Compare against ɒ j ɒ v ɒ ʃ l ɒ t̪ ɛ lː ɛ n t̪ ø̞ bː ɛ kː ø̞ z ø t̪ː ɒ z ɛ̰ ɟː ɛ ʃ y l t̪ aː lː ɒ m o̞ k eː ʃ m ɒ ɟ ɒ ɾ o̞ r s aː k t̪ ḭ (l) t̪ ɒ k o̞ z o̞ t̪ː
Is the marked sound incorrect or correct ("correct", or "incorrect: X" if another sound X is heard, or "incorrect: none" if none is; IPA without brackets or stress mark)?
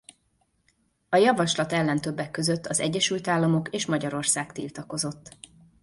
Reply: correct